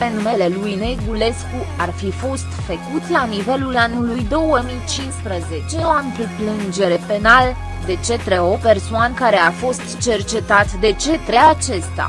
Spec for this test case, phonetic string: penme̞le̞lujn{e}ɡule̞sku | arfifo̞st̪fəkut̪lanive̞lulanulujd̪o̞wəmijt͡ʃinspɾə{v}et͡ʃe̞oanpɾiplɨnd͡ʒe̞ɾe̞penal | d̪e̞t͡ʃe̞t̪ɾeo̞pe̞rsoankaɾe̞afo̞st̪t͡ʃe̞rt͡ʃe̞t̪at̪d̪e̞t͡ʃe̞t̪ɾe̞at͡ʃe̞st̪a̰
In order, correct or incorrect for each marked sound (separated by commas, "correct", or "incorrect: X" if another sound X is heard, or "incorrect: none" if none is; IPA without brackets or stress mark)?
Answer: correct, incorrect: z